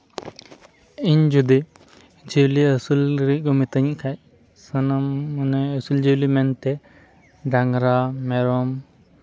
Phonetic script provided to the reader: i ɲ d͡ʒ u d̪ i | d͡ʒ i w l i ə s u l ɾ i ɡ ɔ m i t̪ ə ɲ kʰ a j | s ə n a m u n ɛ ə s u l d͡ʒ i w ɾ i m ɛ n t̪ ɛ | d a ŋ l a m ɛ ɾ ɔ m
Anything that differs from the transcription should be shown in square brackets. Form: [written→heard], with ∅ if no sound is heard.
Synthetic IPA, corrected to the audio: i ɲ d͡ʒ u d̪ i | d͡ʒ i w l i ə s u l ɾ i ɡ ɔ m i t̪ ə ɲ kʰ a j | s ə n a m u n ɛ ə s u l d͡ʒ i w [ɾ→l] i m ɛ n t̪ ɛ | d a ŋ [l→ɾ] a m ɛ ɾ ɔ m